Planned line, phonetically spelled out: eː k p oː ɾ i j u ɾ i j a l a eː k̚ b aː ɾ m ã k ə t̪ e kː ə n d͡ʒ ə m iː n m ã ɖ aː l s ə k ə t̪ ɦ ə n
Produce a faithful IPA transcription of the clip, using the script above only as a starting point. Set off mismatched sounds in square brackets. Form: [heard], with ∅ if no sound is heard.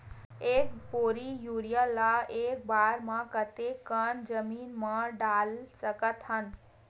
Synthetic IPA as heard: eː k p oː ɾ i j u ɾ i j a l a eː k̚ b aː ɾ m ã k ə t̪ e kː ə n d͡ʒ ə m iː n m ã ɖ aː l s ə k ə t̪ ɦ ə n